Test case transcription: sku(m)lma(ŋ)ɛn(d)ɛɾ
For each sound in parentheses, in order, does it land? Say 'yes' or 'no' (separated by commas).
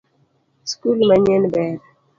no, no, no